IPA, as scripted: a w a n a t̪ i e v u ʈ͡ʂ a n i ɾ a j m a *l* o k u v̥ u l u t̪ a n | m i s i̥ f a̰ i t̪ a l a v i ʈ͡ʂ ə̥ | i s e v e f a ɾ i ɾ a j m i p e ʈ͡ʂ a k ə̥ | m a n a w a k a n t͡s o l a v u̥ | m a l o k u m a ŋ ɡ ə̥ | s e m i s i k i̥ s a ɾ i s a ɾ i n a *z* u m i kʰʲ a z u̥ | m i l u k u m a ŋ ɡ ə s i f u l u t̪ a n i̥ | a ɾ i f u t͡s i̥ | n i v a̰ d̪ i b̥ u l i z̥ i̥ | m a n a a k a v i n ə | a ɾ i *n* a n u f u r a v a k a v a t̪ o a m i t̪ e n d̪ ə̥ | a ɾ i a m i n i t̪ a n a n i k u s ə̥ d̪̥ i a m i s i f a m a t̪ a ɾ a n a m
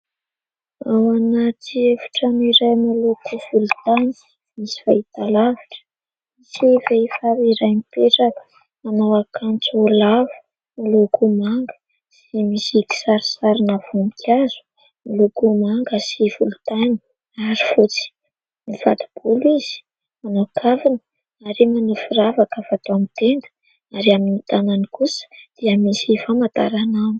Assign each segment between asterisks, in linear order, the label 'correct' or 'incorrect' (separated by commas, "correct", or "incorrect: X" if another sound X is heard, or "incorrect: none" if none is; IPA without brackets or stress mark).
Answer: correct, incorrect: v, incorrect: m